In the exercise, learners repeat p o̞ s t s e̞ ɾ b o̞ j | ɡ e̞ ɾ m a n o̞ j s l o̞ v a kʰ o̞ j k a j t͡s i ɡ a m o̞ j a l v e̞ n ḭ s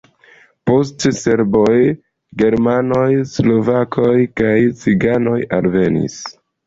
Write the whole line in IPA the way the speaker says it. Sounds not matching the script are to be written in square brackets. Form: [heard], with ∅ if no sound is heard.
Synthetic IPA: p o̞ s t s e̞ ɾ b o̞ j | ɡ e̞ ɾ m a n o̞ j s l o̞ v a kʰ o̞ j k a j t͡s i ɡ a [n] o̞ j a l v e̞ n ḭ s